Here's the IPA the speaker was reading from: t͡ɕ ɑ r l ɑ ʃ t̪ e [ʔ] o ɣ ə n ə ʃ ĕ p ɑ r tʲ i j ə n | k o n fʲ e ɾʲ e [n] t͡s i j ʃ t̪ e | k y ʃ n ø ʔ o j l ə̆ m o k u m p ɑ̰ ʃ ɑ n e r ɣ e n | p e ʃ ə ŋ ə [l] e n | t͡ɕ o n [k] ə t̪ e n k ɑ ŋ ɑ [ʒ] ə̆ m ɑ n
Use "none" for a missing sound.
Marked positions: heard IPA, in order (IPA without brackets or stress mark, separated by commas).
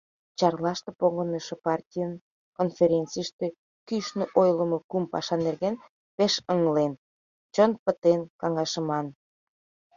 p, n, l, p, ʃ